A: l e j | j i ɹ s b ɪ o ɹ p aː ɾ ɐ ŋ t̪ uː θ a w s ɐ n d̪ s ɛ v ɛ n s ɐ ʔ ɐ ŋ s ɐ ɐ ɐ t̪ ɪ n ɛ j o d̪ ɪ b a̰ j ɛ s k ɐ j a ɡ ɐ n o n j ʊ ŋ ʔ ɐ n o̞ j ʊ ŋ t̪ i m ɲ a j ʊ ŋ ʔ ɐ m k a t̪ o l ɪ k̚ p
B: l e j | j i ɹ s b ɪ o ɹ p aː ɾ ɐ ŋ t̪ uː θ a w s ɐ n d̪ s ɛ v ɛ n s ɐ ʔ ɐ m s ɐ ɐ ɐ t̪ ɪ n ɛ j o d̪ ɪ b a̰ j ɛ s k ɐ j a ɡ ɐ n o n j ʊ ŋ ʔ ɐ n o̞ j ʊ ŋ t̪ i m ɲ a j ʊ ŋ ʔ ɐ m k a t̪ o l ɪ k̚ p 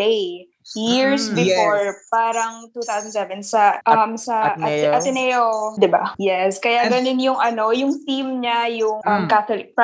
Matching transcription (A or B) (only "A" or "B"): B